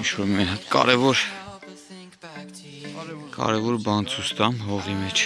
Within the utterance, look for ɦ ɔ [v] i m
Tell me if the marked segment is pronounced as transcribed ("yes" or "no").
no